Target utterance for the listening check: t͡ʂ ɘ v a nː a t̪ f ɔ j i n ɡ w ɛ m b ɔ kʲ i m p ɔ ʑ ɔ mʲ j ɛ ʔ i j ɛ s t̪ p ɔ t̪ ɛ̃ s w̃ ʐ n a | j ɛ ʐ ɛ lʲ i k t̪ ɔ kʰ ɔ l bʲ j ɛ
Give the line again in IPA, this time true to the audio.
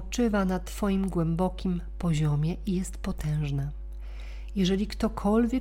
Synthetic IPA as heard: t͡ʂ ɘ v a n a t̪ f ɔ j i m ɡ w ɛ m b ɔ kʲ i m p ɔ ʑ ɔ mʲ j ɛ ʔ i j ɛ s t̪ p ɔ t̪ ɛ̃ w̃ ʐ n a | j ɛ ʐ ɛ lʲ i k t̪ ɔ kʰ ɔ l vʲ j ɛ